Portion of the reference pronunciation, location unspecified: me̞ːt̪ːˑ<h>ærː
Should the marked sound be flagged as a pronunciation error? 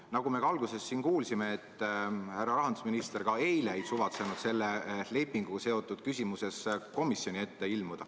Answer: no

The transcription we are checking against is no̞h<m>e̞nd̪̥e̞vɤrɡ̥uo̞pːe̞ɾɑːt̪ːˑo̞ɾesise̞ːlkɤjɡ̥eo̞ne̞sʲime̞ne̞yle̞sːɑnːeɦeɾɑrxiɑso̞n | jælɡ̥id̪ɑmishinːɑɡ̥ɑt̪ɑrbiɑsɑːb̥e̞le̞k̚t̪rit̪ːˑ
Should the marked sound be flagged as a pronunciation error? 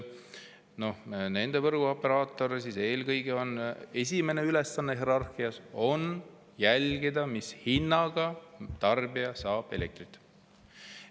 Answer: yes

